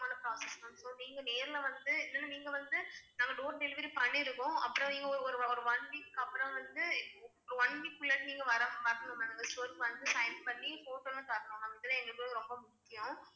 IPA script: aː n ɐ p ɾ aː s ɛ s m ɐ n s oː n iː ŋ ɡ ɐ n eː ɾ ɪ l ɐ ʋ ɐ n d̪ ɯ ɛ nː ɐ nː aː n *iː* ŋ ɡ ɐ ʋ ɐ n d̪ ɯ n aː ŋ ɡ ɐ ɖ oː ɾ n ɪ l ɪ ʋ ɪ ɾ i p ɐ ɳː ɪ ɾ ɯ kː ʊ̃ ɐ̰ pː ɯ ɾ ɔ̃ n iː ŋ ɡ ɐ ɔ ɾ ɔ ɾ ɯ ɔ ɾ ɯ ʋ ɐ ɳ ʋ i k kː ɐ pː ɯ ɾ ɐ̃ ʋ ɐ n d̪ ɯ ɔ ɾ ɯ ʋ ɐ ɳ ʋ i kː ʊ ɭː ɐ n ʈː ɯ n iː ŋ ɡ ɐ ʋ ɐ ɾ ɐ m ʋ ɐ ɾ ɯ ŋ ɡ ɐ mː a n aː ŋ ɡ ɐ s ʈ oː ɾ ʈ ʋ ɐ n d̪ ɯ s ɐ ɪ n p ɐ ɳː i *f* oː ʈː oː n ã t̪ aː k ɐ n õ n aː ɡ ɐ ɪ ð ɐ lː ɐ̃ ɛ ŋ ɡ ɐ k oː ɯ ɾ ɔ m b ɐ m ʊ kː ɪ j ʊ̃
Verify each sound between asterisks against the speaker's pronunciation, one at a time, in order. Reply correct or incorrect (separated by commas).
correct, correct